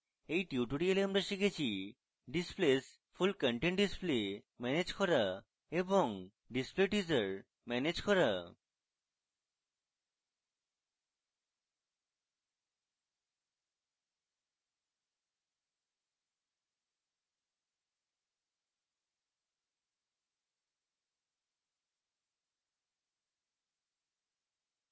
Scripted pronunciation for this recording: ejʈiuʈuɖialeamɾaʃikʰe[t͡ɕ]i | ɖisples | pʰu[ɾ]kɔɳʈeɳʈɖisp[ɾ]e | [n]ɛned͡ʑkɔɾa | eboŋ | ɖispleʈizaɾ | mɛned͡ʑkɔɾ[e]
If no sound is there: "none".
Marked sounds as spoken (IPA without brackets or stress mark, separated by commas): t͡ɕʰ, l, l, m, a